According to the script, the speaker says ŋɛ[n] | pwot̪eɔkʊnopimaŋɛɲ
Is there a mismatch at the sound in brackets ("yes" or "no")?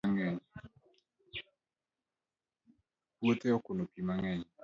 yes